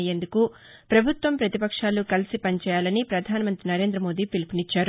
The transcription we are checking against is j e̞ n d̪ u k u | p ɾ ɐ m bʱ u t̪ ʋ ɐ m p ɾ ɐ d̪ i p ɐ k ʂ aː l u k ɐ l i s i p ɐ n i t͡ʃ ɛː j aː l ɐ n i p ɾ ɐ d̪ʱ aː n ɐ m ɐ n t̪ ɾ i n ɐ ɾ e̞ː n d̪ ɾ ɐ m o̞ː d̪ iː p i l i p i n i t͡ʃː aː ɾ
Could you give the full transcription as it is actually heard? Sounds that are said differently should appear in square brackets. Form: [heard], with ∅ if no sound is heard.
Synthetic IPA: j e̞ n d̪ u k u | p ɾ ɐ [∅] bʱ u t̪ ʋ ɐ m p ɾ ɐ [t̪] i p ɐ k ʂ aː l u k ɐ l i s i p ɐ n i t͡ʃ ɛː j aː l ɐ n i p ɾ ɐ d̪ʱ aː n ɐ m ɐ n t̪ ɾ i n ɐ ɾ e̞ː n d̪ ɾ ɐ m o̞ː d̪ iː p i l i p i n i t͡ʃː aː ɾ